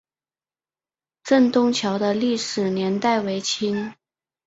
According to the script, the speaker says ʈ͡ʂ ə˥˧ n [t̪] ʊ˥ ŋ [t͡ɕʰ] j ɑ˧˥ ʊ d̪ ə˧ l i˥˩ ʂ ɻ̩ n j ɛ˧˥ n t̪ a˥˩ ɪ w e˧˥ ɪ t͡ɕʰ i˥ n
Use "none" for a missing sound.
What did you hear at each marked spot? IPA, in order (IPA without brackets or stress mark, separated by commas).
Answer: t̪, t͡ɕʰ